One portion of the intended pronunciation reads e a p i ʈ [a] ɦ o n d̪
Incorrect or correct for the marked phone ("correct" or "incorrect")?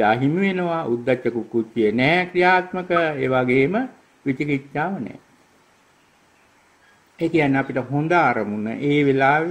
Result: incorrect